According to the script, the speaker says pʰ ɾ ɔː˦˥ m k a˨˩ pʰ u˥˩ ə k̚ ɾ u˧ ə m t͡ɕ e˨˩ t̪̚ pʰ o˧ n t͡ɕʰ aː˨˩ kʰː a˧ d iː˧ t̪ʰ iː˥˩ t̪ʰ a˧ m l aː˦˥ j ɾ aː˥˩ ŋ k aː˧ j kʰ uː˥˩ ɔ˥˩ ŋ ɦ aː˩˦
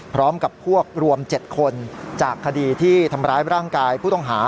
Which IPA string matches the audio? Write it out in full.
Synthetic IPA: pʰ ɾ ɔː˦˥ m k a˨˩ pʰ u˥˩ ə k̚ ɾ u˧ ə m t͡ɕ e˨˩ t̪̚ kʰ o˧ n t͡ɕ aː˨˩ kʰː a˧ d iː˧ t̪ʰ iː˥˩ t̪ʰ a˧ m ɾ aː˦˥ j ɾ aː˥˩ ŋ k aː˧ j pʰ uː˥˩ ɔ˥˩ ŋ ɦ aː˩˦

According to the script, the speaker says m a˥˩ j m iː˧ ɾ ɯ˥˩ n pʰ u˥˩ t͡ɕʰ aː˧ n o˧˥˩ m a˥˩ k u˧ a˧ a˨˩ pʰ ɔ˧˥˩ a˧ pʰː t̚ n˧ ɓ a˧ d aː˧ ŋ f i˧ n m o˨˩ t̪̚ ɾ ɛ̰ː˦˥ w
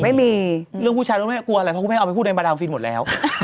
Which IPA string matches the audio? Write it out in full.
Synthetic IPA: m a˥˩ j m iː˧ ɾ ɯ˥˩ ŋ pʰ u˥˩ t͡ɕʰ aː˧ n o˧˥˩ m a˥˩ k u˧ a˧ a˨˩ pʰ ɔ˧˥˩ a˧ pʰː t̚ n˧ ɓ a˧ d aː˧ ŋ f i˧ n m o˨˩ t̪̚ l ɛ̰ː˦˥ w

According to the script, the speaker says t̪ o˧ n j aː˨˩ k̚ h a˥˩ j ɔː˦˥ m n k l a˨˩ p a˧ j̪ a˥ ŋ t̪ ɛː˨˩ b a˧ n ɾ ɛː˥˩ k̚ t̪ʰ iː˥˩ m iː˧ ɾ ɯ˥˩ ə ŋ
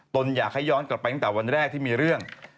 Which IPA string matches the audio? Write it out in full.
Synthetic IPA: t̪ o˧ n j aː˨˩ k̚ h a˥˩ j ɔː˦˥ n k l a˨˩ p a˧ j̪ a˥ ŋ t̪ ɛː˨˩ w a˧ n ɾ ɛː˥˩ k̚ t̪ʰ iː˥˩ m iː˧ ɾ ɯ˥˩ ə ŋ

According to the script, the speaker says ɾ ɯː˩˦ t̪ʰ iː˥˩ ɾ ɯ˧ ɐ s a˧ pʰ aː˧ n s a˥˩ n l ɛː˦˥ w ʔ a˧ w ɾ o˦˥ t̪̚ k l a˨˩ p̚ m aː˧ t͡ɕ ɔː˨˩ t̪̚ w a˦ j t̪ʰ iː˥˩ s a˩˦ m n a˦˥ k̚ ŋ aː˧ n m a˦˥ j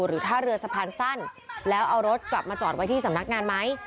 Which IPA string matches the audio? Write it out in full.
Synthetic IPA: ɾ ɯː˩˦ t̪ʰ aː˥˩ ɾ ɯ˧ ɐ s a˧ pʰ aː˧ n s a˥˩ n l ɛː˦˥ w ʔ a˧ w ɾ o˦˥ t̪̚ k l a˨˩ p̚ m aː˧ t͡ɕ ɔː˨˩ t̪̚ w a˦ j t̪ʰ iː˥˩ s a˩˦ m n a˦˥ k̚ ŋ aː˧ n m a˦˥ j

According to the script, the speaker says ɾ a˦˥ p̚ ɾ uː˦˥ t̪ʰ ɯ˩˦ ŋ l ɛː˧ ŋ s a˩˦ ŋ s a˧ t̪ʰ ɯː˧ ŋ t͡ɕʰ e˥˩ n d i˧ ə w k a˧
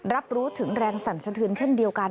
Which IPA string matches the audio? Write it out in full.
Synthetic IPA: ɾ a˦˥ p̚ ɾ uː˦˥ t̪ʰ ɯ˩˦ ŋ ɾ ɛː˧ ŋ s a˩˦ n s a˧ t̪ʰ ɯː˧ n t͡ɕʰ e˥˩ n d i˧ ə w k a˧

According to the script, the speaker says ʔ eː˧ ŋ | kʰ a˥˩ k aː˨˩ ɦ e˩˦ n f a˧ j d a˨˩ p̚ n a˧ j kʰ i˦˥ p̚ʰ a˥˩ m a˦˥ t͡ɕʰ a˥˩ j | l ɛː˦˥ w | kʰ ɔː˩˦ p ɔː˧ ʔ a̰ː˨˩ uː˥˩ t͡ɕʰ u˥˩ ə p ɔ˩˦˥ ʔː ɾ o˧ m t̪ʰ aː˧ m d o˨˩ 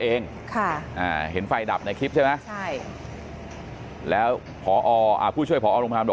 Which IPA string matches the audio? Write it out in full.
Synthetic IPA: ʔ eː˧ ŋ | kʰ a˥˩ ʔ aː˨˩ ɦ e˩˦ n f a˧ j d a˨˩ p̚ n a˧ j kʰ i˦˥ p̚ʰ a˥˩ m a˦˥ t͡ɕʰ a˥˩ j | l ɛː˦˥ w | pʰ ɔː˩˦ ʔ ɔː˧ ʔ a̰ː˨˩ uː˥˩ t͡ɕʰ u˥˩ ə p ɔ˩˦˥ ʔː ɾ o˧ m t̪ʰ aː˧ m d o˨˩

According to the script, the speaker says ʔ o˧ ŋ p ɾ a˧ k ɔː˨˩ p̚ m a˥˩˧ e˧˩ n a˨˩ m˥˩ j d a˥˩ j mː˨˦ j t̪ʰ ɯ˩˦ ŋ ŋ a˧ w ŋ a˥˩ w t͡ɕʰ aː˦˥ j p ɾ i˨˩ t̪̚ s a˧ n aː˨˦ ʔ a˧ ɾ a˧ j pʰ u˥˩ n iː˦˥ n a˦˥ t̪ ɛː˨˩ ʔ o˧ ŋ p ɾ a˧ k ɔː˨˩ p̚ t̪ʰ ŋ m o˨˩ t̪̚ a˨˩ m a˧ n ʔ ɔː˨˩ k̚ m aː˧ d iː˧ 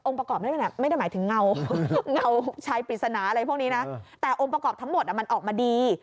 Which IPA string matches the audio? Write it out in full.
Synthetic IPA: ʔ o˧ ŋ p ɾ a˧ k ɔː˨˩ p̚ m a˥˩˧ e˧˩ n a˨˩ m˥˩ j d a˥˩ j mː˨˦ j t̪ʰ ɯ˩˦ ŋ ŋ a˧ w ŋ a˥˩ w t͡ɕʰ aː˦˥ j p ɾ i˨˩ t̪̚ s a˧ n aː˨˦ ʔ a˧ ɾ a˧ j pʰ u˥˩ n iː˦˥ n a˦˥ t̪ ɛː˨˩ ʔ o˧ ŋ p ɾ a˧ k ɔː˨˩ p̚ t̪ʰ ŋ m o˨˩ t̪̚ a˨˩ m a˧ n ʔ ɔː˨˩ k̚ m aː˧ d iː˧

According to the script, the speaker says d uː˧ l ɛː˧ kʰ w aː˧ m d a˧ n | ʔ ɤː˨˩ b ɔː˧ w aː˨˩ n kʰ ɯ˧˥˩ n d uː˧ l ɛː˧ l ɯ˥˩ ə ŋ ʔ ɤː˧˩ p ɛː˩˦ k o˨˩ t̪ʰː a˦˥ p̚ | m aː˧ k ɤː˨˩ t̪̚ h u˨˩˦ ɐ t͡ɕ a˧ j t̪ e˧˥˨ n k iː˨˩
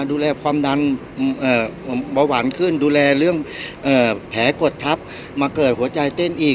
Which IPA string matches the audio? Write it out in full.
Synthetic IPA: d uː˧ l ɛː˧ kʰ w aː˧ m d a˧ n | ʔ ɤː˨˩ b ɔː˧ w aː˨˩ n kʰ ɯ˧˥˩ n d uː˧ l ɛː˧ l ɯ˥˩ ə ŋ ʔ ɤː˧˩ pʰ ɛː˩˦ k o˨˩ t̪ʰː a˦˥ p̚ | m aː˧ k ɤː˨˩ t̪̚ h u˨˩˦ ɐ t͡ɕ a˧ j t̪ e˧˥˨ n ʔ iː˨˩

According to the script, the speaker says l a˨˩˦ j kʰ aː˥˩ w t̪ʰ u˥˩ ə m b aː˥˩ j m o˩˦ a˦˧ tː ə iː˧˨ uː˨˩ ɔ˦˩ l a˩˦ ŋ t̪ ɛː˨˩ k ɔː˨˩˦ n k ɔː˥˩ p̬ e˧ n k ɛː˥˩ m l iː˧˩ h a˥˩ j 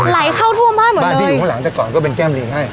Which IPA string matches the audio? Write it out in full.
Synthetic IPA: l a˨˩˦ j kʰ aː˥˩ w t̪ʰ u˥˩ ə m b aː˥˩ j m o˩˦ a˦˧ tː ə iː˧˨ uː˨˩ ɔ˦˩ l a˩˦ ŋ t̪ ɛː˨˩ k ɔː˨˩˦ n k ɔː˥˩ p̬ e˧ n k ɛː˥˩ m l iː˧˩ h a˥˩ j

